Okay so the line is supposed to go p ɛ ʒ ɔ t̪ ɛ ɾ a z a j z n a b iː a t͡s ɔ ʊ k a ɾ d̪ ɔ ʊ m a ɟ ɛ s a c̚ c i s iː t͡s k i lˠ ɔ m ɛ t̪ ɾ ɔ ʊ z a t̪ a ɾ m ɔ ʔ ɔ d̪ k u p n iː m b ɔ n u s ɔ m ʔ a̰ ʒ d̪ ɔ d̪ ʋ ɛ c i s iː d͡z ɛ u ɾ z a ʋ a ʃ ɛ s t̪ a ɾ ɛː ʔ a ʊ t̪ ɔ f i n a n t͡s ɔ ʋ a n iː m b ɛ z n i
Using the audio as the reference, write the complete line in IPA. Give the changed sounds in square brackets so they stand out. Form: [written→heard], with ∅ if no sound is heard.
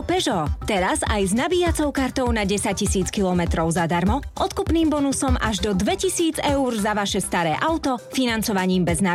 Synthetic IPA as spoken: p ɛ ʒ ɔ t̪ ɛ ɾ a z a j z n a b iː a t͡s ɔ ʊ k a ɾ [d̪→t̪] ɔ ʊ [m→n] a ɟ ɛ s a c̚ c i s iː t͡s k i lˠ ɔ m ɛ t̪ ɾ ɔ ʊ z a [t̪→d̪] a ɾ m ɔ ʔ ɔ [d̪→t̪] k u p n iː m b ɔ n u s ɔ m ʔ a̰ ʒ d̪ ɔ d̪ ʋ ɛ c i s iː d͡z ɛ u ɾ z a ʋ a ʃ ɛ s t̪ a ɾ ɛː ʔ a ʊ t̪ ɔ f i n a n t͡s ɔ ʋ a [n→ɲ] iː m b ɛ z n [i→a]